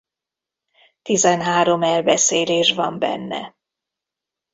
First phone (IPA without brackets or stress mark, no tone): t̪